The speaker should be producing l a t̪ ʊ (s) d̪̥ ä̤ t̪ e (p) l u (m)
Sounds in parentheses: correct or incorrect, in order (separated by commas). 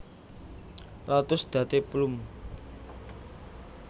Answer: correct, correct, correct